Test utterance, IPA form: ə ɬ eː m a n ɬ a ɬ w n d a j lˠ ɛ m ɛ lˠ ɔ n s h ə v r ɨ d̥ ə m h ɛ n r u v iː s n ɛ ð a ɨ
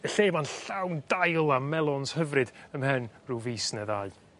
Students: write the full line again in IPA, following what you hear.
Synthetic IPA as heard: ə ɬ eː m a n ɬ a w n d a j lˠ a m ɛ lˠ ɔ n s h ə v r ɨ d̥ ə m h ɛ n r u v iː s n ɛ ð a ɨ

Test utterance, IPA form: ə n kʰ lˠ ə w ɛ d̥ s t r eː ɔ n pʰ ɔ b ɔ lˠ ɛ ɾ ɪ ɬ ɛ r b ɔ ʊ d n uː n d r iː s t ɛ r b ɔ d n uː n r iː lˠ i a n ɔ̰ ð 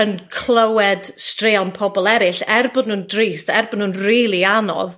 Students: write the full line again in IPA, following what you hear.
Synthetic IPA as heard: ə n kʰ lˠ ə w ɛ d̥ s t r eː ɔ n pʰ ɔ b ɔ lˠ ɛ ɾ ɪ ɬ ɛ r b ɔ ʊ d n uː n d r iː s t ɛ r b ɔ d n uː n r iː lˠ i a n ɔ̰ ð

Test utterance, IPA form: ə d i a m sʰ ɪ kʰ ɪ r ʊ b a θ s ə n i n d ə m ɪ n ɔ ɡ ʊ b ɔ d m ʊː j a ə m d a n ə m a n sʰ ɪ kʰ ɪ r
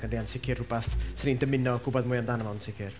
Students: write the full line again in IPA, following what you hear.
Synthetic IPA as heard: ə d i a n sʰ ɪ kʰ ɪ r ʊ b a θ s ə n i n d ə m ɪ n ɔ ɡ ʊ b ɔ d m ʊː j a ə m d a n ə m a n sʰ ɪ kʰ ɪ r

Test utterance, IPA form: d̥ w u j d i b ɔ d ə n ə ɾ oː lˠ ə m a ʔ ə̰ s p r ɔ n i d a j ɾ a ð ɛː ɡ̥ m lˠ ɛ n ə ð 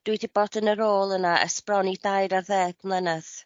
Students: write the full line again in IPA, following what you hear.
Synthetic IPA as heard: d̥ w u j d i b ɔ d ə n ə ɾ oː lˠ ə n a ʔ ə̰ s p r ɔ n i d a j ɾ a ð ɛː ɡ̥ m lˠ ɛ n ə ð

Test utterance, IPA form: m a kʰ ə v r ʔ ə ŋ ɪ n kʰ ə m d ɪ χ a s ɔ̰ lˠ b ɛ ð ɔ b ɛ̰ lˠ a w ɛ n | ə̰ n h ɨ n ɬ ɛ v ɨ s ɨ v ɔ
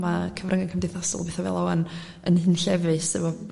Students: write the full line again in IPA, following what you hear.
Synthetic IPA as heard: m a kʰ ə v r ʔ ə ŋ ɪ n kʰ ə m d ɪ θ a s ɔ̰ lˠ b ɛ θ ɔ v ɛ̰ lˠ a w a n | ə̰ n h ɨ n ɬ ɛ v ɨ s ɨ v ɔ

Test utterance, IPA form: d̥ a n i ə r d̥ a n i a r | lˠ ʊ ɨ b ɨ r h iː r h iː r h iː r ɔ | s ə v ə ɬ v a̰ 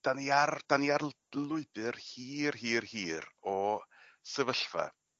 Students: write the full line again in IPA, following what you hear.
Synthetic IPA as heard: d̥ a n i a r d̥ a n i a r | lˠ ʊ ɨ b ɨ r h iː r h iː r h iː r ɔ | s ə v ə ɬ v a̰

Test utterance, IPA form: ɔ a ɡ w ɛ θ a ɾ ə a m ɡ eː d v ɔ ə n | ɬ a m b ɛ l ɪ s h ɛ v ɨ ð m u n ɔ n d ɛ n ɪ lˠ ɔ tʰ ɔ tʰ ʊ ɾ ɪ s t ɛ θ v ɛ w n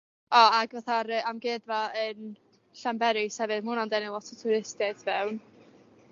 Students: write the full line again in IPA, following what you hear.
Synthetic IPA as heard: ɔ a ɡ v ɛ θ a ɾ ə a m ɡ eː d v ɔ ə n | ɬ a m b ɛ ɾ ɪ s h ɛ v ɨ ð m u n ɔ n d ɛ n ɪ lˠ ɔ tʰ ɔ tʰ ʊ ɾ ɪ s t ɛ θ v ɛ w n

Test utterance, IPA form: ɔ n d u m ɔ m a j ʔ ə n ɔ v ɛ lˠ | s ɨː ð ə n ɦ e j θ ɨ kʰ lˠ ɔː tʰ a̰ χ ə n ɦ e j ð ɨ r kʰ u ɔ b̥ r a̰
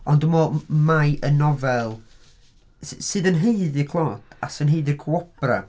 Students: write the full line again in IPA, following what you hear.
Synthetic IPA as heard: ɔ n d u m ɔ m a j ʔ ə n ɔ v ɛ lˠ | s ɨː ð ə n ɦ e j ð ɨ kʰ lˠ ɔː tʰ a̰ s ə n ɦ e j ð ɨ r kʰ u ɔ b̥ r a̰

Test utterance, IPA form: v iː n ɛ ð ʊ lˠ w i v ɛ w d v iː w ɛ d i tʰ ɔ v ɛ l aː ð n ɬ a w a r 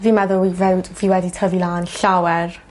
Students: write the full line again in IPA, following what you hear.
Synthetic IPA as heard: v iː m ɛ ð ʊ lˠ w i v ɛ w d v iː w ɛ d i tʰ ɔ v i l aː n ɬ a w ɛ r

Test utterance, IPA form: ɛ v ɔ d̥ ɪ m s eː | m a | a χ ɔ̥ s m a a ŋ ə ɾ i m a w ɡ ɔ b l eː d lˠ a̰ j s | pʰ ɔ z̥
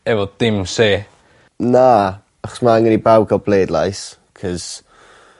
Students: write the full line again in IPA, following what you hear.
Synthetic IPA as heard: ɛ v ɔ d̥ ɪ m s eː | n a | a χ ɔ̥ s m a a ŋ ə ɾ i b a w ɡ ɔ b l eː d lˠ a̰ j s | kʰ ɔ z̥

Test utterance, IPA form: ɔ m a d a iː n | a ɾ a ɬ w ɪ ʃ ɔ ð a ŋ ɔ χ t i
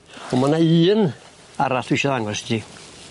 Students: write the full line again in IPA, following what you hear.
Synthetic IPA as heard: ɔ m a n a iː n | a ɾ a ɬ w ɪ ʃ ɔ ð a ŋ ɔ s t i

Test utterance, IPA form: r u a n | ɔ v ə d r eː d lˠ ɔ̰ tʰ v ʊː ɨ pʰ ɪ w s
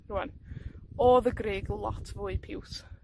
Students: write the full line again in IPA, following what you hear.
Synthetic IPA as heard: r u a n | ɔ ð ə ɡ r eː ɡ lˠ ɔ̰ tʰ v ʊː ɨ pʰ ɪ w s

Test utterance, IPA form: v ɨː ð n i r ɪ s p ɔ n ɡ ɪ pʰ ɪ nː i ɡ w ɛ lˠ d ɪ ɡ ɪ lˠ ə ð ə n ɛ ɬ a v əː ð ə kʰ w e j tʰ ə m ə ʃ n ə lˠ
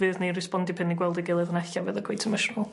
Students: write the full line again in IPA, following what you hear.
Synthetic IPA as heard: v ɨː ð n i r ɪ s p ɔ n d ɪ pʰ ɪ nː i ɡ w ɛ lˠ d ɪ ɡ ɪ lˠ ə ð ə n ɛ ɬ a v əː ð ə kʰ w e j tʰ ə m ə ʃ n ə lˠ

